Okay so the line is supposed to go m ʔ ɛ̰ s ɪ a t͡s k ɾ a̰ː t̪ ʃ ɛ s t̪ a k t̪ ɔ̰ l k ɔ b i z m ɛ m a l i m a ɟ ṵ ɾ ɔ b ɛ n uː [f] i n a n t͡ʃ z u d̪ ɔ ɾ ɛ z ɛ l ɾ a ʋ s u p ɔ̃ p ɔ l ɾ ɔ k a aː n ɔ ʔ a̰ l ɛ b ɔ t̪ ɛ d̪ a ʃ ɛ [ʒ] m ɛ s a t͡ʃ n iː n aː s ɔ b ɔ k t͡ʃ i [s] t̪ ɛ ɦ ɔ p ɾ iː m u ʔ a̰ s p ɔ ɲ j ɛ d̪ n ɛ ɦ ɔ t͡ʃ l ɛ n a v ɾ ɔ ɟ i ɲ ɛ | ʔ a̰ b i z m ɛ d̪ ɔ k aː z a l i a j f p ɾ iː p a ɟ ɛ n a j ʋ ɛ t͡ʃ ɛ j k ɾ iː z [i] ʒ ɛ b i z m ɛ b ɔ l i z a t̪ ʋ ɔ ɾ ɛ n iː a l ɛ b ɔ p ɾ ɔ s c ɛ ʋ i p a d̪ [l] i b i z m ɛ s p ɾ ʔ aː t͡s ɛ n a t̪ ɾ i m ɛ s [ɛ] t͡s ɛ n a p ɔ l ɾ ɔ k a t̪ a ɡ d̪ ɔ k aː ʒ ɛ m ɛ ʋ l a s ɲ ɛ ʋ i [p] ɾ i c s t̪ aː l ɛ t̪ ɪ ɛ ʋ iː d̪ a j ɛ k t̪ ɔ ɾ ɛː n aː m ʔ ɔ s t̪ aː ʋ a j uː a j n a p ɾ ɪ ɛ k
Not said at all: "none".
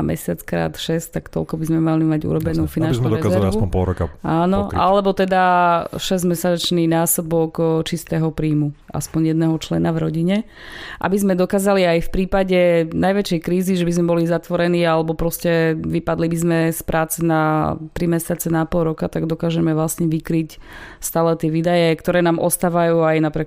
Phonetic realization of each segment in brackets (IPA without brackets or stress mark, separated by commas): f, z, s, i, l, a, k